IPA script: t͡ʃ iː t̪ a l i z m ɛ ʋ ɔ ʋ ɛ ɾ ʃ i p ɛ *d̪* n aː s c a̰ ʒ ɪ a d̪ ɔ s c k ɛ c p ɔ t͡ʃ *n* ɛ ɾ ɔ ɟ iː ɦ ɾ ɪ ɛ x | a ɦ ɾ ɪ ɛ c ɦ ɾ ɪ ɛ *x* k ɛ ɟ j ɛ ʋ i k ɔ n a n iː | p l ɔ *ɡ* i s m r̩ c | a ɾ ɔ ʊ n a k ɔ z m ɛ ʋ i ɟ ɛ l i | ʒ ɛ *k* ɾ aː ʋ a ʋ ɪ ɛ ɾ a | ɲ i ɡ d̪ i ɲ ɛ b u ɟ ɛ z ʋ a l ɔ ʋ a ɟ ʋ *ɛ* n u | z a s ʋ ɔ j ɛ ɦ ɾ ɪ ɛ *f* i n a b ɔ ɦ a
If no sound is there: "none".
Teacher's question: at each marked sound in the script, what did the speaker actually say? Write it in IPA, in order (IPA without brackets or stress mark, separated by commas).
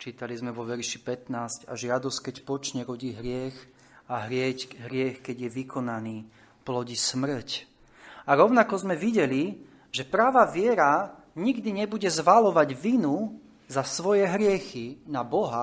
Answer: t̪, ɲ, x, ɟ, p, i, x